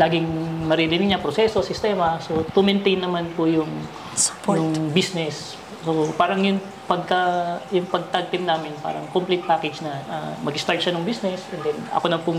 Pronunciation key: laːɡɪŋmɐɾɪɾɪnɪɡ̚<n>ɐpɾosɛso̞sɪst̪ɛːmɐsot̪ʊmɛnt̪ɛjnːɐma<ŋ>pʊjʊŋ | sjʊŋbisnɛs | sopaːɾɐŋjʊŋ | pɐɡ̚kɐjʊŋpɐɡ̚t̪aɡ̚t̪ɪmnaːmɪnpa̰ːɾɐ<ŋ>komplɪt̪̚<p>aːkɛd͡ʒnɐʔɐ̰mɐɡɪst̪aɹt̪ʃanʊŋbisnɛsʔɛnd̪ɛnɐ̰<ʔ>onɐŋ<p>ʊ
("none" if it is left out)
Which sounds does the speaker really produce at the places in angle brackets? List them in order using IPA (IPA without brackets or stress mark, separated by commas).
ɲ, n, ŋ, p, k, p